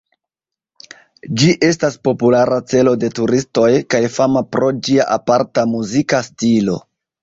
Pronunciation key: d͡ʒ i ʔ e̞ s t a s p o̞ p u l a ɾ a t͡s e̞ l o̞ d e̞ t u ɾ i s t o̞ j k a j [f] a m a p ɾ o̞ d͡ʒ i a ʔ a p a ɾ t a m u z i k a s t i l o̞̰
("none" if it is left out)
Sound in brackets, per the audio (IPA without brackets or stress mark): f